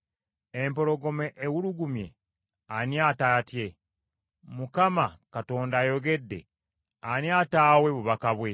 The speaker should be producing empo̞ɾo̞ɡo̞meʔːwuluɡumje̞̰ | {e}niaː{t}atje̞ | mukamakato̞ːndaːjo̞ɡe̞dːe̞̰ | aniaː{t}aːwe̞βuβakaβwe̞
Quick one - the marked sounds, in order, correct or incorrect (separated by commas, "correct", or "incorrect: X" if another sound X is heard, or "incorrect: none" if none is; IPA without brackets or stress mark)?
incorrect: a, correct, correct